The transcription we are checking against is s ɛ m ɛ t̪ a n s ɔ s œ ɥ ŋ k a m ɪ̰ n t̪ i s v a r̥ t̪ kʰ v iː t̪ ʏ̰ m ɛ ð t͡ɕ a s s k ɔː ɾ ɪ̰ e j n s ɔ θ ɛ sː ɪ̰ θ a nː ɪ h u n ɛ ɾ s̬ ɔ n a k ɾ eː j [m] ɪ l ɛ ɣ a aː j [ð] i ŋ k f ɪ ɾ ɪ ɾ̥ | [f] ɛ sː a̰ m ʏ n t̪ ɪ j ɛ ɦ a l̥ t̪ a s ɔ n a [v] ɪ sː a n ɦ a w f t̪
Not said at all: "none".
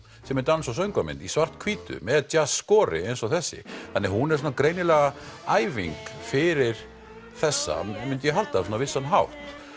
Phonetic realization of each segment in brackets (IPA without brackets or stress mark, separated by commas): n, v, θ, v